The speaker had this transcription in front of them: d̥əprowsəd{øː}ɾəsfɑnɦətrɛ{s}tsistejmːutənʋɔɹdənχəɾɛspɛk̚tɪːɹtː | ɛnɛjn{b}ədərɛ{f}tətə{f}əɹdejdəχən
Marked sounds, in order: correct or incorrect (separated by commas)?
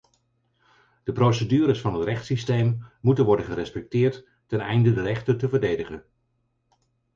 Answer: incorrect, incorrect, incorrect, incorrect, incorrect